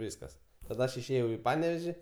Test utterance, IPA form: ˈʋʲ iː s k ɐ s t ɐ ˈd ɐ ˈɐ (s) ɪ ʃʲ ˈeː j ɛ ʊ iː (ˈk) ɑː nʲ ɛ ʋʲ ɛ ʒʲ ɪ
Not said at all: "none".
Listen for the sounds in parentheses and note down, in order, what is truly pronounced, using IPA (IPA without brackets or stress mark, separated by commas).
ʃ, p